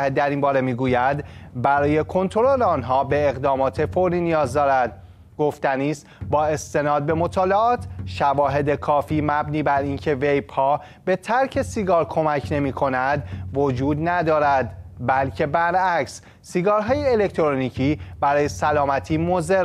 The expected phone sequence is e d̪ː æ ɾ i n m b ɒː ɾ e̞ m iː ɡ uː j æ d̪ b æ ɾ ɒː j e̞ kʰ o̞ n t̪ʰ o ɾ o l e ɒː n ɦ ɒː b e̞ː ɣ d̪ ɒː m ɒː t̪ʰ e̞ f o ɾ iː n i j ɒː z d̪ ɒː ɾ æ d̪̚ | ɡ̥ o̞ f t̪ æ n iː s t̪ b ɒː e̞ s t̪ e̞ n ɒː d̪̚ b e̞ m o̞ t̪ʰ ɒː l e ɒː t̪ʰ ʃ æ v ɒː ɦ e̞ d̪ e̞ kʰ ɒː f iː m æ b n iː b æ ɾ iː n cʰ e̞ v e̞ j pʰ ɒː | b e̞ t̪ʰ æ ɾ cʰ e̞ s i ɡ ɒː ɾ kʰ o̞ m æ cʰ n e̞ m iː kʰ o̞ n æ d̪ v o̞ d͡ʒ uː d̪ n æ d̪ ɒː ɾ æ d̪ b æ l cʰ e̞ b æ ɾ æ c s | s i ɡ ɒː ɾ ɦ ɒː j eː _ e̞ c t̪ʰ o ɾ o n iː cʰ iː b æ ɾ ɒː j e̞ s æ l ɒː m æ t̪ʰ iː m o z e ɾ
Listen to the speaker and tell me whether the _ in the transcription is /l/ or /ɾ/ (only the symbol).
l